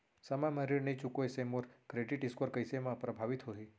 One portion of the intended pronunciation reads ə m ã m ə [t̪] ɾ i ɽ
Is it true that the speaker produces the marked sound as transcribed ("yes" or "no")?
no